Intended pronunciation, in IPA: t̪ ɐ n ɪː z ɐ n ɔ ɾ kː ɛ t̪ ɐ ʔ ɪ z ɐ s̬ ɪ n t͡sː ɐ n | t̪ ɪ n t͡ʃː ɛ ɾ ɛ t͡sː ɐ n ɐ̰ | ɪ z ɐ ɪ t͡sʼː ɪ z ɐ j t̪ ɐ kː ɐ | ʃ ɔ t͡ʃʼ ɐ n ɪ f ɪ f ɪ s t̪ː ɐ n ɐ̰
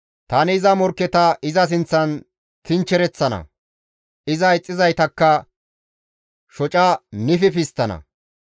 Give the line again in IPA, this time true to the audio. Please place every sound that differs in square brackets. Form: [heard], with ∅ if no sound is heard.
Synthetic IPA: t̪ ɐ n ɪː z ɐ [m] ɔ ɾ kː ɛ t̪ ɐ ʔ ɪ z ɐ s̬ ɪ n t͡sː ɐ n | t̪ ɪ n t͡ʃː ɛ ɾ ɛ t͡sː ɐ n ɐ̰ | ɪ z ɐ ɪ t͡sʼː ɪ z ɐ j t̪ ɐ kː ɐ | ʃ ɔ t͡ʃʼ ɐ n ɪ f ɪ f ɪ s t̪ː ɐ n ɐ̰